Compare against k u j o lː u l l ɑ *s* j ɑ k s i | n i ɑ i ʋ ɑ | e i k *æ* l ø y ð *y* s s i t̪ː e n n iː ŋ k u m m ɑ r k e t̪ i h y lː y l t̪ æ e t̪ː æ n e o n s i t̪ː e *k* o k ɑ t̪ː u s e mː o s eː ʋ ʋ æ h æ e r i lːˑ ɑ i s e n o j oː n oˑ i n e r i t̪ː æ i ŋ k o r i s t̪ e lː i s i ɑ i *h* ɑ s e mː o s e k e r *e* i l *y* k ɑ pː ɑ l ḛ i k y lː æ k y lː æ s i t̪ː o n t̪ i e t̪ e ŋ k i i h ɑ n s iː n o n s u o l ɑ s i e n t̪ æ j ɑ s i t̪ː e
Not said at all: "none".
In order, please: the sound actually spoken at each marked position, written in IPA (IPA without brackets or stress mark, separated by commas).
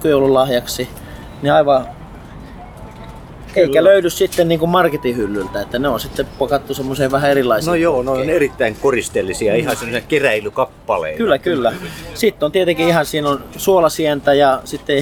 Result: h, æ, y, p, h, æ, y